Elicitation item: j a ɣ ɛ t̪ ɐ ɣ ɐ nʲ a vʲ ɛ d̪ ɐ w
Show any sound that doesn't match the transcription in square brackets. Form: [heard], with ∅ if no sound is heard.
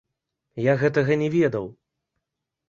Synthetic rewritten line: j a ɣ ɛ t̪ ɐ ɣ ɐ nʲ [ɛ] vʲ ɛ d̪ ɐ w